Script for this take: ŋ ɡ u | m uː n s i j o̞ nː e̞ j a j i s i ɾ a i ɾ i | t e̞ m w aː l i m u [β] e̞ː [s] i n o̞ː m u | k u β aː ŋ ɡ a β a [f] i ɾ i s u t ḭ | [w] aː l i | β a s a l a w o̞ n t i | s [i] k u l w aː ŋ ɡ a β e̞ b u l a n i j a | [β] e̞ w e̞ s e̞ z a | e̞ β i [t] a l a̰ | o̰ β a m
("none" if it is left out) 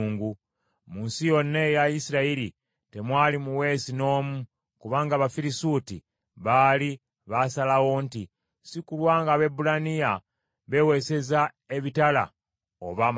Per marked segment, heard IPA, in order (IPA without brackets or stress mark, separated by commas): w, s, f, β, i, β, t